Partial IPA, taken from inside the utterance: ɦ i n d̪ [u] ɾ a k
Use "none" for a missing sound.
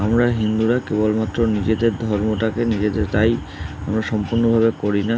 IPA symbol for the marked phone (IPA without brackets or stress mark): u